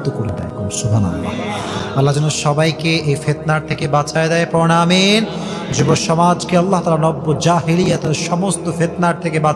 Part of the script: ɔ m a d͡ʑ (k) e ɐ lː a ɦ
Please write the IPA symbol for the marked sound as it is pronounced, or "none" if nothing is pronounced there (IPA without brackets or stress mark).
k